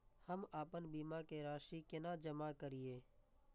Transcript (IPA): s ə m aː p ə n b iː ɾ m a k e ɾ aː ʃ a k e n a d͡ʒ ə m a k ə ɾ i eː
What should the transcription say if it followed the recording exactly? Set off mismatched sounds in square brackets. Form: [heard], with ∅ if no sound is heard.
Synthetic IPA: [h] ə m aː p ə n b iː [∅] m a k e ɾ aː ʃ [i] k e n a d͡ʒ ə m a k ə ɾ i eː

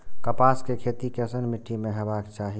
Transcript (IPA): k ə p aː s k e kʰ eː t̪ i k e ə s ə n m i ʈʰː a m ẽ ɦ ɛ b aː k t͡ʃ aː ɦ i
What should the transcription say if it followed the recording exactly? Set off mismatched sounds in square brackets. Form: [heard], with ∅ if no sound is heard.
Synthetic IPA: k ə p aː s k e kʰ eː t̪ i k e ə s ə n m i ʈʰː [i] m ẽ ɦ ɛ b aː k t͡ʃ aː ɦ i

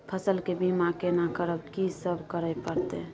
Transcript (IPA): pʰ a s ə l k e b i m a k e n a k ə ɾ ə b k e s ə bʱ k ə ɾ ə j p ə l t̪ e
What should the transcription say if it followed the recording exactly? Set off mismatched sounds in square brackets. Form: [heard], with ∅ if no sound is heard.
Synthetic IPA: pʰ [ə] s ə l k e b i m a k e n a k ə ɾ ə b k [i] s ə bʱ k ə ɾ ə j p ə [ɾ] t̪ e

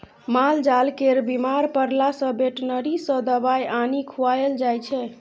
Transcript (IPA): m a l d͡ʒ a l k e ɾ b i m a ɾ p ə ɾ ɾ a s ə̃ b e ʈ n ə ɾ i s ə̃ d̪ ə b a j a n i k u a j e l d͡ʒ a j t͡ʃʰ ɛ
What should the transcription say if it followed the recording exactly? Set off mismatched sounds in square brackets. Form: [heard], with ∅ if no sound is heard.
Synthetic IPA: m a l d͡ʒ a l k e ɾ b i m a ɾ p ə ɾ [l] a s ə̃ b e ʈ n ə ɾ i s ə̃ d̪ ə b a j a n i [kʰ] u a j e l d͡ʒ a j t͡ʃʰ ɛ

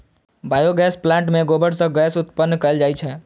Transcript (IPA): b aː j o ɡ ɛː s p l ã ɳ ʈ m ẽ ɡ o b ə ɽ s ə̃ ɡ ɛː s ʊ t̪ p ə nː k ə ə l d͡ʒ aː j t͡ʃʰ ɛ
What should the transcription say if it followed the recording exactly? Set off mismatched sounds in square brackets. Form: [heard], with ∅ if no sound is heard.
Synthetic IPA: b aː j o ɡ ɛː s p l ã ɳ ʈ m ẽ ɡ o b ə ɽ s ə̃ ɡ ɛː s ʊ t̪ p ə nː k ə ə l d͡ʒ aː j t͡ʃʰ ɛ

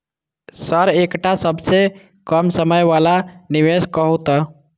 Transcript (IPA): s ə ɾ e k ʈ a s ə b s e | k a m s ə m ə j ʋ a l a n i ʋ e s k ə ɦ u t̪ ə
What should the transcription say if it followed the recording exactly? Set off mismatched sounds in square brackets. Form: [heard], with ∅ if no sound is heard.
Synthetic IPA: s ə ɾ e k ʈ a s ə b s e | k [ə] m s ə m ə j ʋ a l a n i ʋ e s k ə ɦ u t̪ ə

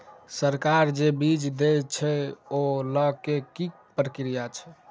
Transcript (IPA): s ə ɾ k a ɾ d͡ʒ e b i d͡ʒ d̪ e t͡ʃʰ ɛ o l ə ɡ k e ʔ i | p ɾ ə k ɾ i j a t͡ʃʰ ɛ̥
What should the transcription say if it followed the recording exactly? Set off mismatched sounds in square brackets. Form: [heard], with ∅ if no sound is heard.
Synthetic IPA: s ə ɾ k a ɾ d͡ʒ e b i d͡ʒ d̪ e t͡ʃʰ ɛ o l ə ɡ k e [k] i | p ɾ ə k ɾ i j a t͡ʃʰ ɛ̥

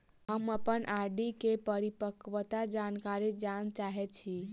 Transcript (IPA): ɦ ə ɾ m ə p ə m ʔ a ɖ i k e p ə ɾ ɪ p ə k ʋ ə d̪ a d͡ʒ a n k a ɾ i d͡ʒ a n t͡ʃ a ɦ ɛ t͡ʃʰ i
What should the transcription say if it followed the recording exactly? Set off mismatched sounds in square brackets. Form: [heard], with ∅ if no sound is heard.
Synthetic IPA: ɦ ə [∅] m ə p ə [n] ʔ a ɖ i k e p ə ɾ [i] p ə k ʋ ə [t̪] a d͡ʒ a n k a ɾ i d͡ʒ a n t͡ʃ a ɦ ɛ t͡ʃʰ i

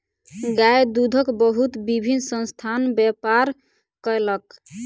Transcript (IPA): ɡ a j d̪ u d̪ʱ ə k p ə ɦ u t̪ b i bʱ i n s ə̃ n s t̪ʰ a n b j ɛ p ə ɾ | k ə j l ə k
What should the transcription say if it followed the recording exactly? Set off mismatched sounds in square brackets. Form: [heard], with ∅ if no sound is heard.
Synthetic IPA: ɡ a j d̪ u d̪ʱ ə k [b] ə ɦ u t̪ b i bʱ i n s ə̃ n s t̪ʰ a n b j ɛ p [a] ɾ | k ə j l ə k

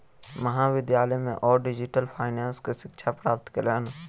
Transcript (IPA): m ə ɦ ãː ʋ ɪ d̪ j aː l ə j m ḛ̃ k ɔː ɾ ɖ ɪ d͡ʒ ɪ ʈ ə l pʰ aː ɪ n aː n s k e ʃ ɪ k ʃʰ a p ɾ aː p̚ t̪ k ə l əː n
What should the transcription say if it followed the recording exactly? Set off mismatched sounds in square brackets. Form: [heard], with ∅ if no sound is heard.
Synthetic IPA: m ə ɦ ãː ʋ ɪ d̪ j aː l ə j m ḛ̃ [ʔ] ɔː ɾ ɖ ɪ d͡ʒ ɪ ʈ ə l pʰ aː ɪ n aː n s k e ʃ ɪ k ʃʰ a p ɾ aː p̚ t̪ k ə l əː n

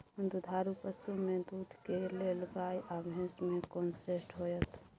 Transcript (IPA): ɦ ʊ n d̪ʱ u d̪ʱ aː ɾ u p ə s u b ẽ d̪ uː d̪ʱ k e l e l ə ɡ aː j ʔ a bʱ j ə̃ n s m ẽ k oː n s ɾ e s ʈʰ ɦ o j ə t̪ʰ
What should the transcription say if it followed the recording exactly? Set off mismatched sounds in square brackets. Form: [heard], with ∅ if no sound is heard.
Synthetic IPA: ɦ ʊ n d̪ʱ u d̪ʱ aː ɾ u p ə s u [m] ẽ d̪ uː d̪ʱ k e l e l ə ɡ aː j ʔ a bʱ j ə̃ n s m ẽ k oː n s ɾ e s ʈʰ ɦ o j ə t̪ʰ

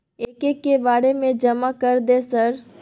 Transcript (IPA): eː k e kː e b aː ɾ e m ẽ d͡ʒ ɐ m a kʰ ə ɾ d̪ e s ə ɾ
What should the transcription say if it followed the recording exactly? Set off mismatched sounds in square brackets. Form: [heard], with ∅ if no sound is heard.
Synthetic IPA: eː k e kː e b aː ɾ e m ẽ d͡ʒ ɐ m a [k] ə ɾ d̪ e s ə ɾ

